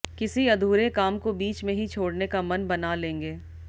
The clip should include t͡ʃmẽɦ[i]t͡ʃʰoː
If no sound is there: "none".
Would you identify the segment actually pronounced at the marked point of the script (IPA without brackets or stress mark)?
i